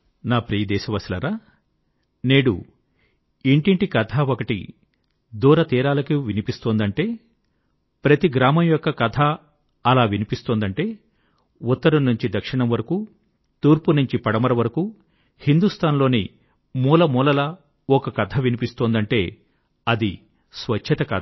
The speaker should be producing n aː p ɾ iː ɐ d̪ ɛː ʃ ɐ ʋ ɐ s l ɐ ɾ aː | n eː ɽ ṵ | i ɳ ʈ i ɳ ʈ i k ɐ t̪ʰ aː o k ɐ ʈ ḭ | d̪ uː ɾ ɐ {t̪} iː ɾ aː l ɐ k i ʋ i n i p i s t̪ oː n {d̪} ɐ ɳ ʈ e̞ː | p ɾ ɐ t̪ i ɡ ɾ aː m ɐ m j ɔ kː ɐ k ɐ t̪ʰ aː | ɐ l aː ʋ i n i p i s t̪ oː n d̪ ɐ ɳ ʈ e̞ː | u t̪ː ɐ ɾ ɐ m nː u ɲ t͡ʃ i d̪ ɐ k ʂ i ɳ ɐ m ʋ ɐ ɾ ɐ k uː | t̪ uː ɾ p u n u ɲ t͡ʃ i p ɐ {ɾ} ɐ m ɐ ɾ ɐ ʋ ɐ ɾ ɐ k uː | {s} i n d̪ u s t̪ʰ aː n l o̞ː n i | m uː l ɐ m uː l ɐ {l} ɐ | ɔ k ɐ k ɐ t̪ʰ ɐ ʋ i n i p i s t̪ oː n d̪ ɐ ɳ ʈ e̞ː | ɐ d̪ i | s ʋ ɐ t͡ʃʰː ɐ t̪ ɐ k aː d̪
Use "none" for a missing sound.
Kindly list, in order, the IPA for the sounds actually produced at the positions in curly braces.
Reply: t̪, d̪, ɽ, h, l

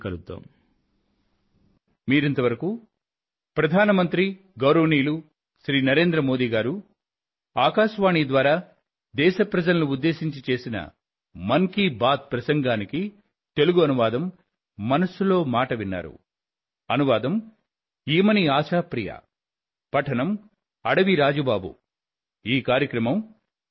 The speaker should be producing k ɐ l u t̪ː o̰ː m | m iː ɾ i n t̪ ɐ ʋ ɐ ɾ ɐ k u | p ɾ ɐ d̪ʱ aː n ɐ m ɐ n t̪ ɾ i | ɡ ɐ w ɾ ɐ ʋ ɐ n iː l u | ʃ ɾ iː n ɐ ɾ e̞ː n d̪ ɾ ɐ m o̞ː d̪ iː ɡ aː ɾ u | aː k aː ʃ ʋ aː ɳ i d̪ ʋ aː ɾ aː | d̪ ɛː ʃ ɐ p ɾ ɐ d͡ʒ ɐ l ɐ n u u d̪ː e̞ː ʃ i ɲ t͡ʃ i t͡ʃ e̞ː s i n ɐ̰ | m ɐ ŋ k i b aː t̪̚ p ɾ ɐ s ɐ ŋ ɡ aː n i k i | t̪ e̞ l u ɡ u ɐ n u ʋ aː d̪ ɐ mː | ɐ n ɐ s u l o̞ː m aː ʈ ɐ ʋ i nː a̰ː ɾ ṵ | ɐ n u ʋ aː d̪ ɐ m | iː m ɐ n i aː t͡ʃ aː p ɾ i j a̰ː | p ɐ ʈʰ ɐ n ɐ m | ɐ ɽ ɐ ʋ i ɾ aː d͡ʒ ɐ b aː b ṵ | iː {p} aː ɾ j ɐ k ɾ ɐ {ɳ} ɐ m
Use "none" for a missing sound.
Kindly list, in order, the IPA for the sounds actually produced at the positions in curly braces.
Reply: k, m

